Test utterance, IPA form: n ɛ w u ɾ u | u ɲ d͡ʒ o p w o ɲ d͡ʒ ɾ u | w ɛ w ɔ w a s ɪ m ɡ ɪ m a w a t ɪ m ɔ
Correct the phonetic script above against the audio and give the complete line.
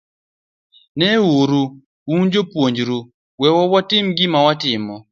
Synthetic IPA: n ɛ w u ɾ u | u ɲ d͡ʒ o p w o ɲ d͡ʒ ɾ u | w ɛ w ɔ w a t ɪ m ɡ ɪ m a w a t ɪ m ɔ